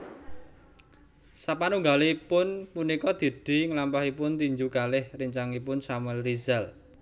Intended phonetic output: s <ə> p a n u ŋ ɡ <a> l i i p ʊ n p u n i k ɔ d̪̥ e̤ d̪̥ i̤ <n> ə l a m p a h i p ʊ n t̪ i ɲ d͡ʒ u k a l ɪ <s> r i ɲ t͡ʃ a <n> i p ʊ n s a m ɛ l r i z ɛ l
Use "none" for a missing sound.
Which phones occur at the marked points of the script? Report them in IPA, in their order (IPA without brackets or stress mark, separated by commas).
a, a, ŋ, h, ŋ